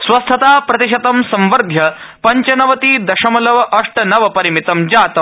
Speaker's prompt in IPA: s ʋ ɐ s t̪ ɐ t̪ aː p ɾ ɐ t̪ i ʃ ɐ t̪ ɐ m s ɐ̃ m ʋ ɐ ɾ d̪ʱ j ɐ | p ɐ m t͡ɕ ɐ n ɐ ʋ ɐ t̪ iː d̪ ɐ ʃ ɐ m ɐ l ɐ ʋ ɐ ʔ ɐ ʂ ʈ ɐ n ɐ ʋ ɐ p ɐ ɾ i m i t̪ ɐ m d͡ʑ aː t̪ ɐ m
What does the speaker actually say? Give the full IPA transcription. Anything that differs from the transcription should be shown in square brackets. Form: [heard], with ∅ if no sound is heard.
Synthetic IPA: s ʋ ɐ s [t̪ʰ] ɐ t̪ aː p ɾ ɐ t̪ i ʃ ɐ t̪ ɐ m s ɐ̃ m ʋ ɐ ɾ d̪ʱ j ɐ | p ɐ [ɲ] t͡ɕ ɐ n ɐ ʋ ɐ t̪ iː d̪ ɐ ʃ ɐ m ɐ l ɐ ʋ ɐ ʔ ɐ ʂ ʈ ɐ n ɐ ʋ ɐ p ɐ ɾ i m i t̪ ɐ m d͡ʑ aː t̪ ɐ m